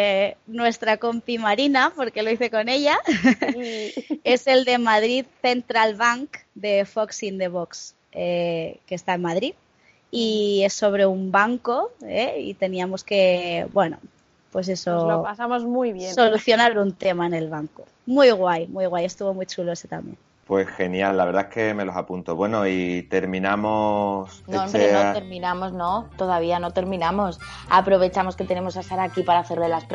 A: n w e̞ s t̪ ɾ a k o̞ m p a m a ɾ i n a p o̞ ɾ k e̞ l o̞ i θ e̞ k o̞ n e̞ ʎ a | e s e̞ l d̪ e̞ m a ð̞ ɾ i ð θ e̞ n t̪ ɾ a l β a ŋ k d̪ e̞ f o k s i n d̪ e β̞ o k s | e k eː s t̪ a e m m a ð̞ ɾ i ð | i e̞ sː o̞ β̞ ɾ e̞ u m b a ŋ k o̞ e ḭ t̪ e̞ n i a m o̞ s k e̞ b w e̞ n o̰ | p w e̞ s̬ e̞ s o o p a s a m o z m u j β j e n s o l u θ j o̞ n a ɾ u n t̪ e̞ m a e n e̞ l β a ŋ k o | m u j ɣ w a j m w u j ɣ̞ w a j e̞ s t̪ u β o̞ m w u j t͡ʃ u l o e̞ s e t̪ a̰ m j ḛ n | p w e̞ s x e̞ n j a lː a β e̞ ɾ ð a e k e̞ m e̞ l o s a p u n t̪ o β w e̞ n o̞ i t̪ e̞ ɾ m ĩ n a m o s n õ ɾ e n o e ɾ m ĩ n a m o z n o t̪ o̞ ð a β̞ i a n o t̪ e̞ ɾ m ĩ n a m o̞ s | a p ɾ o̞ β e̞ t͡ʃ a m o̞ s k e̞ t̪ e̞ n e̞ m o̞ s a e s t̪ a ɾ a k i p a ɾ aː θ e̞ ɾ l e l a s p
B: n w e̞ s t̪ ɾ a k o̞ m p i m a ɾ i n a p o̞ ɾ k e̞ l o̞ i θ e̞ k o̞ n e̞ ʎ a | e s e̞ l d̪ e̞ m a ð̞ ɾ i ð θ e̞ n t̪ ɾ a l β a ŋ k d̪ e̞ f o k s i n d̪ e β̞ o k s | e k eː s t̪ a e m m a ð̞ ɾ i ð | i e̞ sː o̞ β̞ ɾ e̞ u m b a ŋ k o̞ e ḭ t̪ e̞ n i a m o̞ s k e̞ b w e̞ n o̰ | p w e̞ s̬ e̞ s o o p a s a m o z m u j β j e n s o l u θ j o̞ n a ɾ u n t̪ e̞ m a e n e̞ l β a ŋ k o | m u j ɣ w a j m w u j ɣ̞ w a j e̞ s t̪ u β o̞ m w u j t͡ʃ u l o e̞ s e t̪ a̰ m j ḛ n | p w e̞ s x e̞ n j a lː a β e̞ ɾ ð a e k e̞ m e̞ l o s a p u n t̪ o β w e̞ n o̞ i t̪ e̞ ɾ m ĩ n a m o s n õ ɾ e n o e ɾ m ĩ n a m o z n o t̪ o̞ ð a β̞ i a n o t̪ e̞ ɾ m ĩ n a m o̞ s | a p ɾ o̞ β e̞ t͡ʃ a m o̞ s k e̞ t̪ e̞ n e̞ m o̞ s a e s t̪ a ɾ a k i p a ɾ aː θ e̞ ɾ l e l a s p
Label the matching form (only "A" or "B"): B